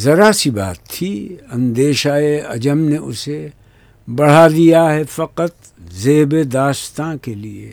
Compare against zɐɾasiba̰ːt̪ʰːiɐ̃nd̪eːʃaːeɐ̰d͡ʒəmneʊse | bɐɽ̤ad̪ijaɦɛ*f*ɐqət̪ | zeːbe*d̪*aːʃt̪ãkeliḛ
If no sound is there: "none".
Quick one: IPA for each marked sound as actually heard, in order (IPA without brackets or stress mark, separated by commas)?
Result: f, d̪